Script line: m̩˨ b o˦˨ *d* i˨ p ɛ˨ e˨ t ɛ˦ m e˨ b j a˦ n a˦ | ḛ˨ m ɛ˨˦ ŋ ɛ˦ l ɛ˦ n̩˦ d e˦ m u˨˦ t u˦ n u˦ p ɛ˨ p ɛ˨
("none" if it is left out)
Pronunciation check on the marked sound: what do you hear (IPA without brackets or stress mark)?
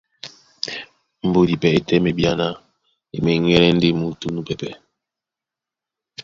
d